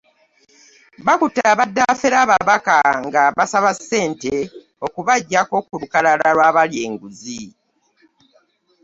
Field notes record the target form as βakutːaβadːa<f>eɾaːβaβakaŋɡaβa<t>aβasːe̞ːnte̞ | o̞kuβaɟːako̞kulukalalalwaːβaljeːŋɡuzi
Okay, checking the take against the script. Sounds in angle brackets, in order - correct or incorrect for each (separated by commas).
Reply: correct, incorrect